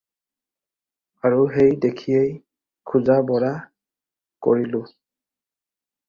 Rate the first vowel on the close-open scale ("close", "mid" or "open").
open